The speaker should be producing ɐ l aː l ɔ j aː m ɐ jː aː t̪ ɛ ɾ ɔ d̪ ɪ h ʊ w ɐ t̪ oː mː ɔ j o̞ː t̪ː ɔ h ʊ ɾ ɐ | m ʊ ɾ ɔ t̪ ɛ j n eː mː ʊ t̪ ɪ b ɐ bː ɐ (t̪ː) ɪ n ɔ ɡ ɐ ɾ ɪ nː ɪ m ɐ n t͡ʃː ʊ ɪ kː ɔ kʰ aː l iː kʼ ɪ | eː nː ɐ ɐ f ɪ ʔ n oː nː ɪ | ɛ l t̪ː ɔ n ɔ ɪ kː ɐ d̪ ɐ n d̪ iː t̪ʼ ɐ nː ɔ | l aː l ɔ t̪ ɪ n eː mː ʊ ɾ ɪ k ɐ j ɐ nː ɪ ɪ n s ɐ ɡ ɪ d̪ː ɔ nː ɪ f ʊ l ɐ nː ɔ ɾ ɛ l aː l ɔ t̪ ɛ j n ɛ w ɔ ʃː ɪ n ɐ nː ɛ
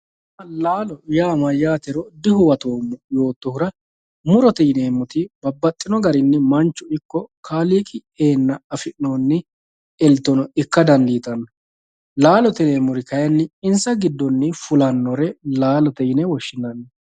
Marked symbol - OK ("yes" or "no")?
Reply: no